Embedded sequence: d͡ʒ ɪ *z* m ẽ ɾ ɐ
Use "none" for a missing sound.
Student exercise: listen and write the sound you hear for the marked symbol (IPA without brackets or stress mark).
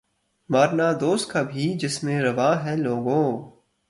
s